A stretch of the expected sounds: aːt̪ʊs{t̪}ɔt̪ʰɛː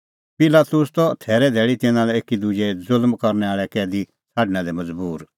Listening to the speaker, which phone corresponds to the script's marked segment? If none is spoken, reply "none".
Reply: t̪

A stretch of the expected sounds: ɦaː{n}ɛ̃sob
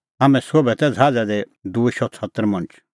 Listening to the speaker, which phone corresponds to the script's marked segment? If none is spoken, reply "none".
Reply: m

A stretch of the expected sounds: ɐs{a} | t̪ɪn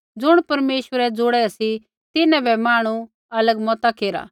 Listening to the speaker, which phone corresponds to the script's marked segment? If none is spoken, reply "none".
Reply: i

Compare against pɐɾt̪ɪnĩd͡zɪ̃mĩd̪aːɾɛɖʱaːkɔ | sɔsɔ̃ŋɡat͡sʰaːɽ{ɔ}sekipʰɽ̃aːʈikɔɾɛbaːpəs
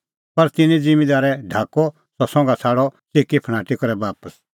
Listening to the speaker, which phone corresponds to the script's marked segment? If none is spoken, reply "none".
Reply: ɔ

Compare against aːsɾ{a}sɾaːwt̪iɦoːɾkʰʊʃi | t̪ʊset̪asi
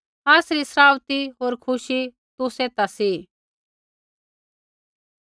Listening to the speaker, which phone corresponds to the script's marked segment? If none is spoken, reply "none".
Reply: i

